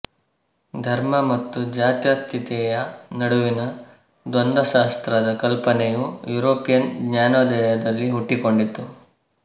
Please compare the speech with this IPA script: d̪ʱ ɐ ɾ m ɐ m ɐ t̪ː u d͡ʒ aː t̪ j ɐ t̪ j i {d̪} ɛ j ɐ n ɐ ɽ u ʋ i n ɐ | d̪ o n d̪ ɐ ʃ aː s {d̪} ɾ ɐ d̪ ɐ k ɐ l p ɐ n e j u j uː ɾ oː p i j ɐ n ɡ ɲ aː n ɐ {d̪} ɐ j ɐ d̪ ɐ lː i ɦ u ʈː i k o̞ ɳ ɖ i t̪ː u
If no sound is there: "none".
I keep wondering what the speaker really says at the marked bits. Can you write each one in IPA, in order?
t̪, t̪, d̪

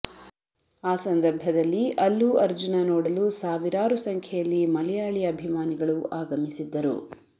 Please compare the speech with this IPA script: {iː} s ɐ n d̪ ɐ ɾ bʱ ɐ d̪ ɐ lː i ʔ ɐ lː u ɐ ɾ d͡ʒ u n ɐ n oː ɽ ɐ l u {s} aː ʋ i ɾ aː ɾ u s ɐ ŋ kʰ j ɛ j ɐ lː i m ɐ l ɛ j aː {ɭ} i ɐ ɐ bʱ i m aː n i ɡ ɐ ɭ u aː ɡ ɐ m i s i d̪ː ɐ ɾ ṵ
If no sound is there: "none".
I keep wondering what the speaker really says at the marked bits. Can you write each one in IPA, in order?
aː, s, ɭ

